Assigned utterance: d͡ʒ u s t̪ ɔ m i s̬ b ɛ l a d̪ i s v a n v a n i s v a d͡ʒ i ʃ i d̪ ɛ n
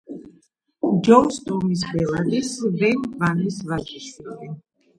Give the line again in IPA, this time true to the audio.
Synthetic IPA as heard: d͡ʒ ɔ s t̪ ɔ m i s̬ b ɛ l a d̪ i s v ɛ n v a n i s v a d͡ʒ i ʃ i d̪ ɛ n